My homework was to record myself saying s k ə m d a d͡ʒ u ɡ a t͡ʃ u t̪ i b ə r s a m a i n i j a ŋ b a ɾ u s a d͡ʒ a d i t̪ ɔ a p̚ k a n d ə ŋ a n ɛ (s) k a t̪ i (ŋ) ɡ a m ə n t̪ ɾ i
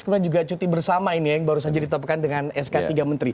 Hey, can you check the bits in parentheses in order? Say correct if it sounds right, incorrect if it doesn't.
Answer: correct, incorrect

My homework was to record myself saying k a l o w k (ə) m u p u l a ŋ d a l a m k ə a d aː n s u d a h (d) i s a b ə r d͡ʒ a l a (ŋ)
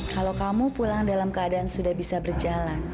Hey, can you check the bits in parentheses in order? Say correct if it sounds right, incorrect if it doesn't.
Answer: incorrect, incorrect, incorrect

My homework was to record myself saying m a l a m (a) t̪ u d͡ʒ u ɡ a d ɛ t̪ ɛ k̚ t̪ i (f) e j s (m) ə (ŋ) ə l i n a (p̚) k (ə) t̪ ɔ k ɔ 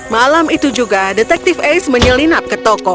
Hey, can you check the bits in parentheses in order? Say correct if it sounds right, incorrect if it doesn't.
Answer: incorrect, correct, correct, incorrect, correct, correct

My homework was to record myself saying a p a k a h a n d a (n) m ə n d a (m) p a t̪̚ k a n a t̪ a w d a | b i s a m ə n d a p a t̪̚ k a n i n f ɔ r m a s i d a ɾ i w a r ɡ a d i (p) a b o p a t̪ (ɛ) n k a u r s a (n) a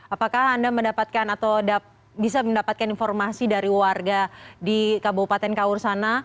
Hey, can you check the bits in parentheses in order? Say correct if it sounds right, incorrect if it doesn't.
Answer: incorrect, incorrect, incorrect, correct, correct

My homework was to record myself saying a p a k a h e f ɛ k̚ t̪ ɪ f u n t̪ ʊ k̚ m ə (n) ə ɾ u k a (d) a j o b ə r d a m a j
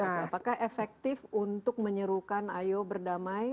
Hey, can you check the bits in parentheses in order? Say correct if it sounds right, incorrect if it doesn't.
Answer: incorrect, incorrect

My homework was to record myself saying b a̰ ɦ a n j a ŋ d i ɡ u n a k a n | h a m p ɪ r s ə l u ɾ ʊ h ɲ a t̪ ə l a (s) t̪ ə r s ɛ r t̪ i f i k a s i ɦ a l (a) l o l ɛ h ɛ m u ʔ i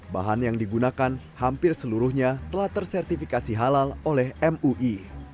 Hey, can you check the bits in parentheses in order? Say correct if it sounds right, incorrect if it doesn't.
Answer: incorrect, correct

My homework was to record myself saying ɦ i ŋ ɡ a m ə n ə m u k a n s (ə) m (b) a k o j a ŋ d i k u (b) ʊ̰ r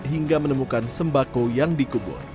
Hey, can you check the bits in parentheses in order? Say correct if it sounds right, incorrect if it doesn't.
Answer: correct, correct, correct

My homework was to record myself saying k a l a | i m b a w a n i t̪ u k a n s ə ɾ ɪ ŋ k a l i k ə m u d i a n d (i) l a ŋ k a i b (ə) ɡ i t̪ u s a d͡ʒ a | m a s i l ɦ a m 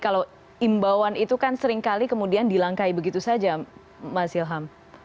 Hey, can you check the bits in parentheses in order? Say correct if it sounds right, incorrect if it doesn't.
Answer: correct, correct

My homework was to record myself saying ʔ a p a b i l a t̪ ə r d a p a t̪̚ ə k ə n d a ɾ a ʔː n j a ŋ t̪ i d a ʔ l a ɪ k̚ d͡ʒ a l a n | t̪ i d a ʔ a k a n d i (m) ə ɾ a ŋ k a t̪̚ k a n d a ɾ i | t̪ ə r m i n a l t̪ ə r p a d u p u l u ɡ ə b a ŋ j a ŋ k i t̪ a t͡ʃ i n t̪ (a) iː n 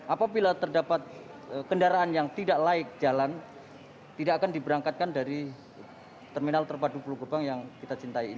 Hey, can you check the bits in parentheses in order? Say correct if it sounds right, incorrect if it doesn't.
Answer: incorrect, correct

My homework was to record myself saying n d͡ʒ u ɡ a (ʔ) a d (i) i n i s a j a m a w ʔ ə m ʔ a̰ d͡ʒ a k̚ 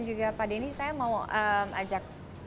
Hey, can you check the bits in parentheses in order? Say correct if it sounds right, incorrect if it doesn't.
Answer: incorrect, incorrect

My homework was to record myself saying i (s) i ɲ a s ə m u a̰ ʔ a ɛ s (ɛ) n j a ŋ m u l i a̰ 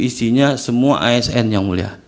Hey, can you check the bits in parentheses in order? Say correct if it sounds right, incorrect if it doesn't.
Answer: correct, correct

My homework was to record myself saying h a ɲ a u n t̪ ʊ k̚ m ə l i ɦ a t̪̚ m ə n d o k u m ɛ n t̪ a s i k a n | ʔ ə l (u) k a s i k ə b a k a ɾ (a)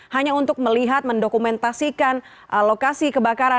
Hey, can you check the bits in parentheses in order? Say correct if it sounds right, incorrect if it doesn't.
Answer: incorrect, correct

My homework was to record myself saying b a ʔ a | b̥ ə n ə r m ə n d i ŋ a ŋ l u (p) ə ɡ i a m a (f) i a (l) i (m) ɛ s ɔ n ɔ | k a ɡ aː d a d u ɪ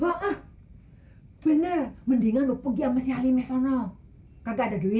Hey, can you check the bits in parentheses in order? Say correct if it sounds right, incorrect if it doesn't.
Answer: correct, incorrect, correct, correct

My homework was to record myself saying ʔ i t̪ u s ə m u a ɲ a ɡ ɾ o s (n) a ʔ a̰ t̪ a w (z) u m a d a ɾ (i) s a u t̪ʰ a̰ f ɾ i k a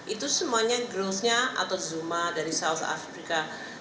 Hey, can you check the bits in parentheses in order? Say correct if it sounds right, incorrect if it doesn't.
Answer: incorrect, correct, correct

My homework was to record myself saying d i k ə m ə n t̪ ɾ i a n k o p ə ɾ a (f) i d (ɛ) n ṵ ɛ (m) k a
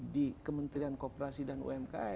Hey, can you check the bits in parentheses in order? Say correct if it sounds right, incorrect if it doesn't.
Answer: incorrect, incorrect, correct

